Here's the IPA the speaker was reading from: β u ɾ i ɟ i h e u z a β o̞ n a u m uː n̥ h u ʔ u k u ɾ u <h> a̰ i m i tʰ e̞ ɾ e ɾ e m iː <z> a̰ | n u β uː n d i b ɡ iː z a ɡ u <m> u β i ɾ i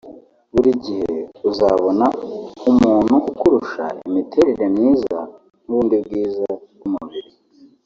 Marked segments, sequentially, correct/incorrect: incorrect, correct, correct

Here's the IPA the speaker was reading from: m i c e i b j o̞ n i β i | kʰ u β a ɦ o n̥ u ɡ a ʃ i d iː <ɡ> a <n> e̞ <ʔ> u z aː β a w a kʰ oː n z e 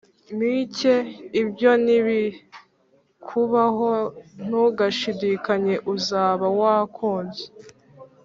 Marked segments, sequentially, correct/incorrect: incorrect, incorrect, correct

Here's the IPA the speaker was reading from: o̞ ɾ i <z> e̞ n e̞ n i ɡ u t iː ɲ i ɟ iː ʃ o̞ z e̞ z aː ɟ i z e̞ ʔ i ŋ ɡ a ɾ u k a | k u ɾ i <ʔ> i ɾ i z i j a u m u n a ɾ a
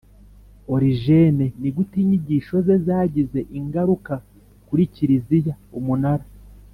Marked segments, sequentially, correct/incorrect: incorrect, incorrect

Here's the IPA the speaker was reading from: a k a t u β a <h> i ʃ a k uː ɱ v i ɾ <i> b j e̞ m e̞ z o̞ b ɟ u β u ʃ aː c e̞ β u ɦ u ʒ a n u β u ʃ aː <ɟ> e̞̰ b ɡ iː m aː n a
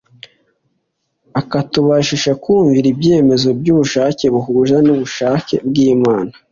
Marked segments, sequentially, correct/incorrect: incorrect, correct, incorrect

